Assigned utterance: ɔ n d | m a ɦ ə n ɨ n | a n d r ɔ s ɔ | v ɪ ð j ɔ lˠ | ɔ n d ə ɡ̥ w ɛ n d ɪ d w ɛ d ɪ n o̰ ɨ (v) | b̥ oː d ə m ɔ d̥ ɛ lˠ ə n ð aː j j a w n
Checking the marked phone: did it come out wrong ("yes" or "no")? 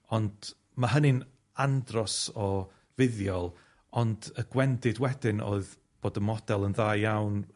yes